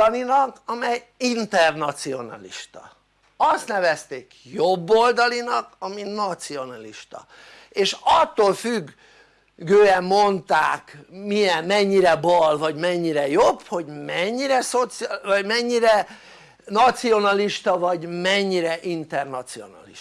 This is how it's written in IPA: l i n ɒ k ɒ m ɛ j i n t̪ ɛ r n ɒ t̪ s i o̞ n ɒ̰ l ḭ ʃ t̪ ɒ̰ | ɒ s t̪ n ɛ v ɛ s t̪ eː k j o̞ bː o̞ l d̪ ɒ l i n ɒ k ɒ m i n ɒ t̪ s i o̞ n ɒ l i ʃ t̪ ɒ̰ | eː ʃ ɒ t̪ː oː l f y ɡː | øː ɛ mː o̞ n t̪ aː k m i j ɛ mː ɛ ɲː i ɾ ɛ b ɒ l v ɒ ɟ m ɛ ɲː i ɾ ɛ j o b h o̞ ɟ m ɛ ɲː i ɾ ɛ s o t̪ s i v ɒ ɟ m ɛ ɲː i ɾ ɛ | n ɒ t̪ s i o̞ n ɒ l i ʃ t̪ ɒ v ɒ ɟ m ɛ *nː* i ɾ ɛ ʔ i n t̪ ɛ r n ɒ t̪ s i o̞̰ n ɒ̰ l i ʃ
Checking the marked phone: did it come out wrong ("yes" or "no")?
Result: yes